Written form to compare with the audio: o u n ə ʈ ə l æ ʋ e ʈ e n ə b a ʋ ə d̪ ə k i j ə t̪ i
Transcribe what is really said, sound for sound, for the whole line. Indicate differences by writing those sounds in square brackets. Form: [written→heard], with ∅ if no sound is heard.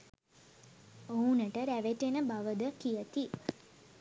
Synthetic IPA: o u n ə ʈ ə [l→ɾ] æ ʋ e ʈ e n ə b a ʋ ə d̪ ə k i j ə t̪ i